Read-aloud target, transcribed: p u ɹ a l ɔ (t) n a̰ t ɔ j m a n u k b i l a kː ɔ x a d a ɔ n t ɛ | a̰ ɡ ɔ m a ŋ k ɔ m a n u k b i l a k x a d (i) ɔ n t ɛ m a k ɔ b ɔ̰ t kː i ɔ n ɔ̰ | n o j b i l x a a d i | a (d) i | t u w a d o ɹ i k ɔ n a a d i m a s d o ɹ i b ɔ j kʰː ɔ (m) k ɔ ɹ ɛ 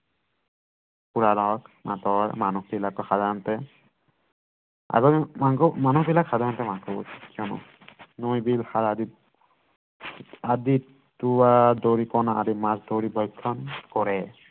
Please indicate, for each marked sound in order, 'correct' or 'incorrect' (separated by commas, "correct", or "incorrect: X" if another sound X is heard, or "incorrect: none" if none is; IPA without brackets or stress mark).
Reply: incorrect: k, incorrect: a, correct, incorrect: n